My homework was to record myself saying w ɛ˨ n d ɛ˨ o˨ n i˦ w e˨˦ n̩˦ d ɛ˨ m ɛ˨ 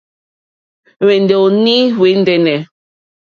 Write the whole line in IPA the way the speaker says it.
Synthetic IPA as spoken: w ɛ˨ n d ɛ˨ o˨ n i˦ w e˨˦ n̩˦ d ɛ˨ n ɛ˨